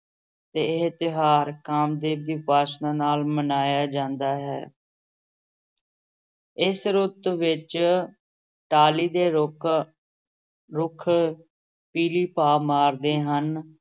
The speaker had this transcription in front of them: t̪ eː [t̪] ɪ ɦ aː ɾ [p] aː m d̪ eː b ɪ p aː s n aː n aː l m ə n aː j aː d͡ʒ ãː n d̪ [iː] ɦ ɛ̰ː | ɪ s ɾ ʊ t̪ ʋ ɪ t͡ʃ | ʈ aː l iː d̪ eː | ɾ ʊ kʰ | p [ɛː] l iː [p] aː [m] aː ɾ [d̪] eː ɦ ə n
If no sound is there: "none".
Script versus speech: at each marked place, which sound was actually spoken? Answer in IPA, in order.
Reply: t̪, k, aː, iː, p, m, d̪

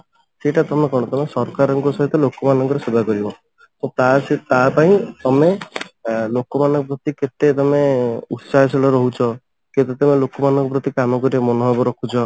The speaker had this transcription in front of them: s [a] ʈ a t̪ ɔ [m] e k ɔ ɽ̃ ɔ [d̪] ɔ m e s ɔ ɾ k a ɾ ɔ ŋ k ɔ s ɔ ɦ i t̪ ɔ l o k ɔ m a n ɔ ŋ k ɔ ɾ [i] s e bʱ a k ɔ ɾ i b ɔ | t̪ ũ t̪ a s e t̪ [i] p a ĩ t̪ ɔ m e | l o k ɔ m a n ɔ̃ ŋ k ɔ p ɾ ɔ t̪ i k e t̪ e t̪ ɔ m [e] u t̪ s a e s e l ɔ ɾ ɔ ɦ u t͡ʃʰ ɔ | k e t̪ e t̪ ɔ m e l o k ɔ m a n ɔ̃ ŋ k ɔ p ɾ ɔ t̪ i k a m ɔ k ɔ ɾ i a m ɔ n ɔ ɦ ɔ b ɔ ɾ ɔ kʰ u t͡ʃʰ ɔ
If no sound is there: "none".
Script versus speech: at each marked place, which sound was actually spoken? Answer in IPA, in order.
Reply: e, m, t̪, e, a, e

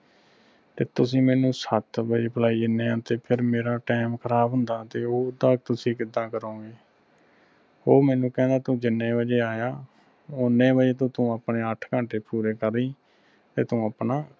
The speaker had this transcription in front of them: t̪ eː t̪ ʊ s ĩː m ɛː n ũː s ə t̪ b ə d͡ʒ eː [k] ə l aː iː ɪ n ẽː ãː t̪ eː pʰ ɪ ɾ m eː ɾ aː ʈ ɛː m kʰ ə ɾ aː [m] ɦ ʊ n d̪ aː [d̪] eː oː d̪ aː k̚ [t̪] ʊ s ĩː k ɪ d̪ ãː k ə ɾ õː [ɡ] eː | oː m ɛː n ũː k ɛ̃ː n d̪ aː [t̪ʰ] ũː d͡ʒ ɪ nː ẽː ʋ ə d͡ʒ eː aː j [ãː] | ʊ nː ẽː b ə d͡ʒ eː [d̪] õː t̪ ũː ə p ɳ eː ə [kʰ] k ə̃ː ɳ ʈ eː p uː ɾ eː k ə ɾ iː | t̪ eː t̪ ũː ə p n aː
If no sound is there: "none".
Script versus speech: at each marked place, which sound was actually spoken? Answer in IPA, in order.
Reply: p, b, t̪, t̪, ɡ, t̪, aː, t̪, ʈʰ

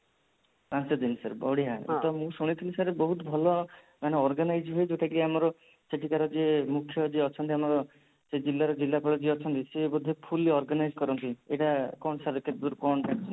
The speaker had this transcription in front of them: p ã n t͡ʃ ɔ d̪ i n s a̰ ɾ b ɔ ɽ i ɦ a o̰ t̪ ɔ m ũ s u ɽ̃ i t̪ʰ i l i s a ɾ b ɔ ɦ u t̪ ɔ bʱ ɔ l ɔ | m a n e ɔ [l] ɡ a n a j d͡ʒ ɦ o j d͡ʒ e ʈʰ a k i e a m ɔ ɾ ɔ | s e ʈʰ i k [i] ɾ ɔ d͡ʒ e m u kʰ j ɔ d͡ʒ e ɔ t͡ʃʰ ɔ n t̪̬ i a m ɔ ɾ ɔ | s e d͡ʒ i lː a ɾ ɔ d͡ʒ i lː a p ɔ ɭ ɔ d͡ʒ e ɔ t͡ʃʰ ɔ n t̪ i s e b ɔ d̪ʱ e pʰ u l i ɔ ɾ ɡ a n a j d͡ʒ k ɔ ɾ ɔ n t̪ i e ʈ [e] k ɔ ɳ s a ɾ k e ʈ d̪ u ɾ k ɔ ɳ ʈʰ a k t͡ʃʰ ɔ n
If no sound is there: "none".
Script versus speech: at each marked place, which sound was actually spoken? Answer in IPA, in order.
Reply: ɾ, a, a

